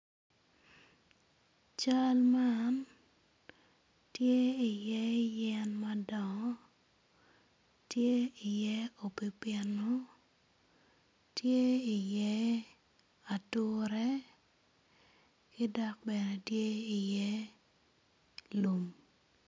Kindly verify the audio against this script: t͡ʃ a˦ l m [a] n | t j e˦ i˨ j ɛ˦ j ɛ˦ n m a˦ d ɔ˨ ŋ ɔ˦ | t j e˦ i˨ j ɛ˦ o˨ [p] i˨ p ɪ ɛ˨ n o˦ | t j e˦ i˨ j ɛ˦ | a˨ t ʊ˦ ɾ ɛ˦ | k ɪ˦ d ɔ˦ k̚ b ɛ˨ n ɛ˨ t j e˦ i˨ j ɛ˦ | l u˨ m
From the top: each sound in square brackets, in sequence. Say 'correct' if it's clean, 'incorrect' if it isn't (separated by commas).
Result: correct, correct